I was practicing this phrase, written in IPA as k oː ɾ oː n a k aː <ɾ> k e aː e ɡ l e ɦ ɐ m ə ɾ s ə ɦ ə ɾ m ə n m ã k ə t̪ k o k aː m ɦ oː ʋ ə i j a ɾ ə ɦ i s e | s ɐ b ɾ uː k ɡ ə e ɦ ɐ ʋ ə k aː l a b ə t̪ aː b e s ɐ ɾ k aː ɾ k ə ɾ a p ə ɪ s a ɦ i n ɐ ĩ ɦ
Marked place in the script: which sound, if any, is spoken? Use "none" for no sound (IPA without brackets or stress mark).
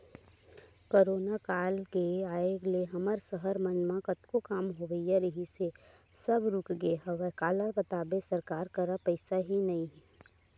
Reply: l